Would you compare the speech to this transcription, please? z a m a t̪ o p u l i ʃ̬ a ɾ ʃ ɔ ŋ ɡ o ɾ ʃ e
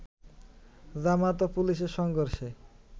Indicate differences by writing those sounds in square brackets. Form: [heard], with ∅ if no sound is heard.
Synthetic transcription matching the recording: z a m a t̪ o p u l i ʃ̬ [e] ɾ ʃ ɔ ŋ ɡ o ɾ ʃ e